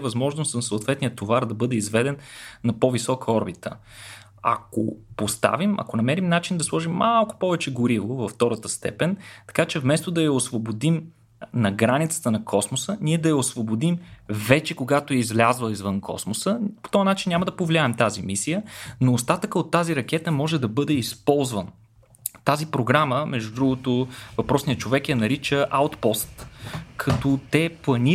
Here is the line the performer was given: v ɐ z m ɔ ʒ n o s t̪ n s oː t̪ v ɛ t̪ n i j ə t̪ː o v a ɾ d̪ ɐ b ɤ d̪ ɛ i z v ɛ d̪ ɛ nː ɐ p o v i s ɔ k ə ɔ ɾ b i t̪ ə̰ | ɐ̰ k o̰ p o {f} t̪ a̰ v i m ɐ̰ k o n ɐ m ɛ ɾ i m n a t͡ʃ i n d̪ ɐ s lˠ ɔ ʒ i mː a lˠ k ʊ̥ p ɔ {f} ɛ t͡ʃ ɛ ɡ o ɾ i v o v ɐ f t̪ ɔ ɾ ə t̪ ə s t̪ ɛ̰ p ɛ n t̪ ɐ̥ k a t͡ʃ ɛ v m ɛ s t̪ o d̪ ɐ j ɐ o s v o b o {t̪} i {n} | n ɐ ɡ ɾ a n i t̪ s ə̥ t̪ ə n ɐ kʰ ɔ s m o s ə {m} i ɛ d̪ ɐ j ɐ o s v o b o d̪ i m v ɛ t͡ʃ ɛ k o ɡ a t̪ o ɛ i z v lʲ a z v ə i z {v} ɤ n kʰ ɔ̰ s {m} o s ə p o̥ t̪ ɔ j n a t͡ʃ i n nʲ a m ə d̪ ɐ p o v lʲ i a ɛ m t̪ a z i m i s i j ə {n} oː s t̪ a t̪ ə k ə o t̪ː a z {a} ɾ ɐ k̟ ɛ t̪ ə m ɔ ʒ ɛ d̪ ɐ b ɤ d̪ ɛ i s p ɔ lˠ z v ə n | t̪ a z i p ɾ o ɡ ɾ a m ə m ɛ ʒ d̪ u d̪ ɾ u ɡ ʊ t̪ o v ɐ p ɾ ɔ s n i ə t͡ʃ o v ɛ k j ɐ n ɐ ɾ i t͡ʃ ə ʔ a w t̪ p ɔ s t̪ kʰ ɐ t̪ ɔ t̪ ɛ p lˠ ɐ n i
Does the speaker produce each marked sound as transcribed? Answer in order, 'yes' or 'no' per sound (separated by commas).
no, no, no, no, no, yes, yes, yes, no